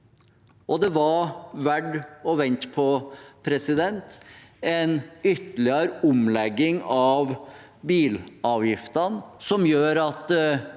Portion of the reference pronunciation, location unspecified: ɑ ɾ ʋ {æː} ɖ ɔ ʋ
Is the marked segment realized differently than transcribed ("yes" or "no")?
yes